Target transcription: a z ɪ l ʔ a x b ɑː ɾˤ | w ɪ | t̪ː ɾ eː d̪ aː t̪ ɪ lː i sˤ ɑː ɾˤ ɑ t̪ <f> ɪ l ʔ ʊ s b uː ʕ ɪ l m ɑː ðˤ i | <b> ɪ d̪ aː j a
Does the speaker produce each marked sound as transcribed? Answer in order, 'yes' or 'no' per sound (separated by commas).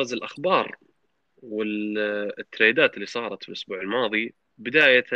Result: yes, yes